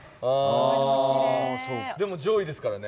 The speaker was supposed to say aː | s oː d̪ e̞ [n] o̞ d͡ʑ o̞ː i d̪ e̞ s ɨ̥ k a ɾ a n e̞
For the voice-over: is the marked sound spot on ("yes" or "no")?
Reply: no